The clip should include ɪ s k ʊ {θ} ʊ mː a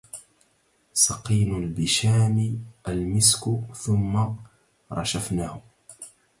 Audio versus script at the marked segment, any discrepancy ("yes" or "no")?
no